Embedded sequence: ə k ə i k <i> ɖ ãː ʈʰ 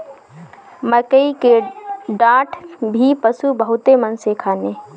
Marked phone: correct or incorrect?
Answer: incorrect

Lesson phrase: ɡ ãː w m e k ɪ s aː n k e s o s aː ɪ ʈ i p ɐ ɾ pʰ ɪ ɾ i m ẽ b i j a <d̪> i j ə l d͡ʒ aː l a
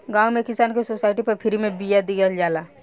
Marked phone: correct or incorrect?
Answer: correct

